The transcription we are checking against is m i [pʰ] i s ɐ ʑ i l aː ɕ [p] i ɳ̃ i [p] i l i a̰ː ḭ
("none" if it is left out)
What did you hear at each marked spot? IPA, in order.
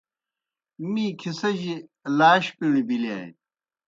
kʰ, p, b

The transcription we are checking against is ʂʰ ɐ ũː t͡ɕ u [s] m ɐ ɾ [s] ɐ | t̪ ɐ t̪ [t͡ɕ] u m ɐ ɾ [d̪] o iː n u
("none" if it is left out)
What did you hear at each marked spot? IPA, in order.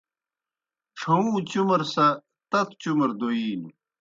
none, s, t͡ɕ, d̪

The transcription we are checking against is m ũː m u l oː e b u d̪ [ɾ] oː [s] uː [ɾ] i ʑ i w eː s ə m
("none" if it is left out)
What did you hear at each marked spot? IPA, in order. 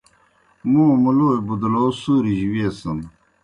l, s, ɾ

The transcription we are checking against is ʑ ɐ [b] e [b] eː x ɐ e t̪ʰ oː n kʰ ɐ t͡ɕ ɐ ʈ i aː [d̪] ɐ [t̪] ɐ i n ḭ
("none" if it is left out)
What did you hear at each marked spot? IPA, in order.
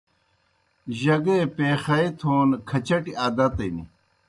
ɡ, p, d̪, t̪

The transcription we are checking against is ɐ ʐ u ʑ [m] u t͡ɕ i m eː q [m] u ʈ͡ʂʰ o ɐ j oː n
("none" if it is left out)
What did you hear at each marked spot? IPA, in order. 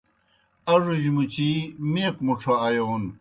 m, m

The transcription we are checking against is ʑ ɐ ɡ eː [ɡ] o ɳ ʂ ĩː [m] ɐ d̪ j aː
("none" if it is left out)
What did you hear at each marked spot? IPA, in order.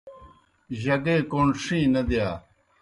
k, n

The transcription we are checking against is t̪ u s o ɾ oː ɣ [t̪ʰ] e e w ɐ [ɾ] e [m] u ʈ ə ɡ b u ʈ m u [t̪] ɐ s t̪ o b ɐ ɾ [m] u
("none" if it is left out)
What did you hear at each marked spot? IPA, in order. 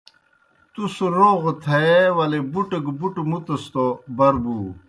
t̪ʰ, l, b, t̪, b

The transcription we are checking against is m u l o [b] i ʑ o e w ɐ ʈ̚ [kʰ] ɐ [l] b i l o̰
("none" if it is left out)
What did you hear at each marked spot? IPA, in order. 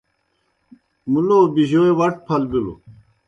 b, pʰ, l

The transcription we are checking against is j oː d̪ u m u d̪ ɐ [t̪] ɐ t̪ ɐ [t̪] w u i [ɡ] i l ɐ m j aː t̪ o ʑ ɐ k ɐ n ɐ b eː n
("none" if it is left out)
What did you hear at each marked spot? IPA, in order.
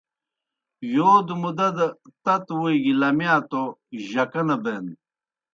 d̪, t̪, ɡ

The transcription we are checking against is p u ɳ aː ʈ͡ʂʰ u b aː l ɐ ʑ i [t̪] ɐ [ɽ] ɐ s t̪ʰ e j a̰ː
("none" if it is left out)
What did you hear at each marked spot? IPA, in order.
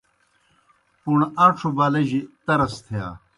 t̪, ɾ

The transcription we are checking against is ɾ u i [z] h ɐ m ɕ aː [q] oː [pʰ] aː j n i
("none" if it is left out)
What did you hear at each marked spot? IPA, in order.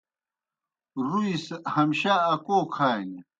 s, k, kʰ

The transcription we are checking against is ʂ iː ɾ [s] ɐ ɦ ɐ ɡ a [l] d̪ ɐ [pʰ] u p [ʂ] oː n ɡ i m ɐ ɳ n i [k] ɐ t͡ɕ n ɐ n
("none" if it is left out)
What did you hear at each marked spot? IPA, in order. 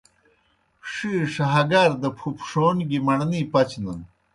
ʂ, ɾ, pʰ, ʂ, p

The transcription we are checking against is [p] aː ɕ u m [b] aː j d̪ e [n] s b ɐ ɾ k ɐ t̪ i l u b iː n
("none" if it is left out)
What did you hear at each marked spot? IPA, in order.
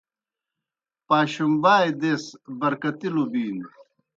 p, b, none

